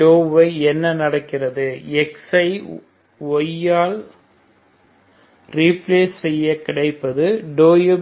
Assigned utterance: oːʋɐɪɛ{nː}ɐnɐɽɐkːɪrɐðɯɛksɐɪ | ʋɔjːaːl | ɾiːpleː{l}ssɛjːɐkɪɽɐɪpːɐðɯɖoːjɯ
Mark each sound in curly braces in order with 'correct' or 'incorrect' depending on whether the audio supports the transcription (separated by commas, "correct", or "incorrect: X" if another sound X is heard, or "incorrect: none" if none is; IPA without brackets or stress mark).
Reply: correct, incorrect: none